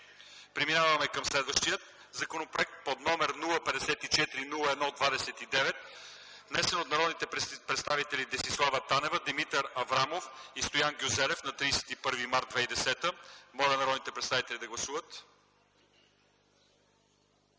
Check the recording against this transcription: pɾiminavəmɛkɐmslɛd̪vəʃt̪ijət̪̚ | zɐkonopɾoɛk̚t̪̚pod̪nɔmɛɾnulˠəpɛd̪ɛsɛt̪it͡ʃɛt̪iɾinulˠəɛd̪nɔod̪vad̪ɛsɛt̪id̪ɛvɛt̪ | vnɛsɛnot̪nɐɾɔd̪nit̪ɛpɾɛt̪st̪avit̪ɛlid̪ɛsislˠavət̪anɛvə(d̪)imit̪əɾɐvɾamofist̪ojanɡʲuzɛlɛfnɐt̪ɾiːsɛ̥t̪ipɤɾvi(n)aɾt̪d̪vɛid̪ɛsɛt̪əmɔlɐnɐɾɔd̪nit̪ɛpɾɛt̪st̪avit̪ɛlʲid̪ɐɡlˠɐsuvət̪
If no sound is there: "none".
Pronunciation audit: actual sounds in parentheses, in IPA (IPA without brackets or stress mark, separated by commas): d̪, m